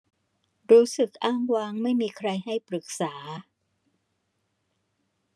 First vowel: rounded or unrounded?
rounded